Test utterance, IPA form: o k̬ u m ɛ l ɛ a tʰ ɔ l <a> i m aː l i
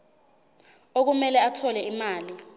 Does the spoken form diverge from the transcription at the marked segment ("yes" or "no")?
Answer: yes